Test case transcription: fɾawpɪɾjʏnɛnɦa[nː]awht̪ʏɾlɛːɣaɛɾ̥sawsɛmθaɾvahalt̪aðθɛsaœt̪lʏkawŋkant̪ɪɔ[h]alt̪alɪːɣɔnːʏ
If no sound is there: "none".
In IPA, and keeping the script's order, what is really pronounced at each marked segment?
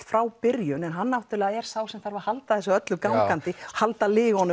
nː, h

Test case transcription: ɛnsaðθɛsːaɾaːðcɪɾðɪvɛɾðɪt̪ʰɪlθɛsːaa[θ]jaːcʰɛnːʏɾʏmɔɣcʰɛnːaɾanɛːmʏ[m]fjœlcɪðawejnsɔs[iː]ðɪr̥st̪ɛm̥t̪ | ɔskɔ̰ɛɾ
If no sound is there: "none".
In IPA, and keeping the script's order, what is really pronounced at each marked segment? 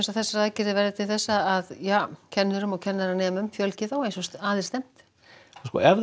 ð, m, aː

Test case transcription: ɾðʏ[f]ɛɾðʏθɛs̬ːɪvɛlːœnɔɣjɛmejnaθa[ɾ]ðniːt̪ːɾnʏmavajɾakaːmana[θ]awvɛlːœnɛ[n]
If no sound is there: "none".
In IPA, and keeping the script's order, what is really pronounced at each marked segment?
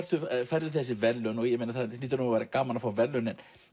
f, none, f, n

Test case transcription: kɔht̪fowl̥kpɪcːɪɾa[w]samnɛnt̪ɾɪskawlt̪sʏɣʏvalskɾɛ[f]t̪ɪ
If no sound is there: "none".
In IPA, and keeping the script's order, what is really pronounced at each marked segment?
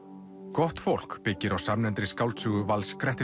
w, h

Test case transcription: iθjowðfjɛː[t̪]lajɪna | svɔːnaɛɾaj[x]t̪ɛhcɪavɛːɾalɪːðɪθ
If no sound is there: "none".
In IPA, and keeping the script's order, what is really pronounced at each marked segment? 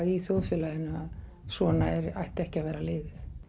none, h

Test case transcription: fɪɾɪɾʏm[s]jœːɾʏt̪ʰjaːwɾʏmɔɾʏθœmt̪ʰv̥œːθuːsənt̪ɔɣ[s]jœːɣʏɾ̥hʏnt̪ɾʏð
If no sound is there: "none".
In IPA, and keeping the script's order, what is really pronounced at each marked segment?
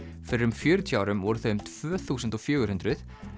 f, f

